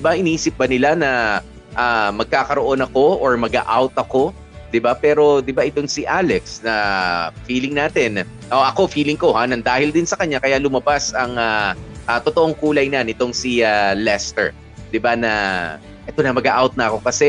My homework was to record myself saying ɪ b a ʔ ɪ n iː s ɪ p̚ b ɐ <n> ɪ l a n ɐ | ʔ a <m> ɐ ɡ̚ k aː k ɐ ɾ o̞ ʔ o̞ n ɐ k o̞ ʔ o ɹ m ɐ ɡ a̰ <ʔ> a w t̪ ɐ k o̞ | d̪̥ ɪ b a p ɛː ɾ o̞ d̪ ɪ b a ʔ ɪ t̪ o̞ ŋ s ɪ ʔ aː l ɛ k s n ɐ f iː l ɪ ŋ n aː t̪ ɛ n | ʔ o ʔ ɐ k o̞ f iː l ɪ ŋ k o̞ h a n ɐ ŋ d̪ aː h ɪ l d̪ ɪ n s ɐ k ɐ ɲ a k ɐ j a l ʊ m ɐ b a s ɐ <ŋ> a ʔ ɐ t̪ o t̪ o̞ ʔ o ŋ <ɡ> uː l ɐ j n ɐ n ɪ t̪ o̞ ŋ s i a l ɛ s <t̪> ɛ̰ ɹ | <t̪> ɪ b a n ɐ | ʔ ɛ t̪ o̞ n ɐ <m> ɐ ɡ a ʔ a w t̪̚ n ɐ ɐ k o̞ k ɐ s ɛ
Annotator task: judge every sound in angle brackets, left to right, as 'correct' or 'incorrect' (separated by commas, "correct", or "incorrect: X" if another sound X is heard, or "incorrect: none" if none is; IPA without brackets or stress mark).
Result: correct, correct, correct, correct, incorrect: k, correct, incorrect: d̪, correct